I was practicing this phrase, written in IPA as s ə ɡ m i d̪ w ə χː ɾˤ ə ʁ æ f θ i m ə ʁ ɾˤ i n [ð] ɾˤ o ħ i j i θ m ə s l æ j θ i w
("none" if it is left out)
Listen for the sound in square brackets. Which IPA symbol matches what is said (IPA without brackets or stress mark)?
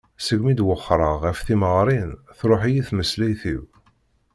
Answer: θ